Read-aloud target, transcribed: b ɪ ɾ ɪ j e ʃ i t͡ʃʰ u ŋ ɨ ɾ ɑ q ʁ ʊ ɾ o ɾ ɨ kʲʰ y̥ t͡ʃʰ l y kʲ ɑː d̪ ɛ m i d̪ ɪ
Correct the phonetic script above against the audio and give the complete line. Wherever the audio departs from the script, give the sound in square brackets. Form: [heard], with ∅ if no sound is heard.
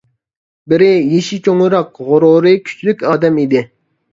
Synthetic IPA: b ɪ ɾ ɪ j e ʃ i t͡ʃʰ [o] ŋ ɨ ɾ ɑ q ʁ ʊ ɾ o ɾ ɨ kʲʰ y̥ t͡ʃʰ l y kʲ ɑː d̪ ɛ m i d̪ ɪ